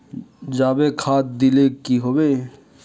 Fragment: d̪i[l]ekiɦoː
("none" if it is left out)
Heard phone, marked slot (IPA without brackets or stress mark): l